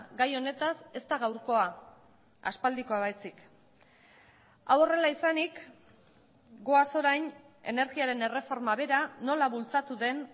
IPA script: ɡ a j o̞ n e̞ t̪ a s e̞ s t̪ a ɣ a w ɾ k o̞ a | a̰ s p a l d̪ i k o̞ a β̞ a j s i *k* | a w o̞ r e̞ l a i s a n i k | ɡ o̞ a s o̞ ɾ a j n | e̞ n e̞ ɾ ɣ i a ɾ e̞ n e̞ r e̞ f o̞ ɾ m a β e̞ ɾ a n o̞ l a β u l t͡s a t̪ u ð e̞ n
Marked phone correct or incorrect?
correct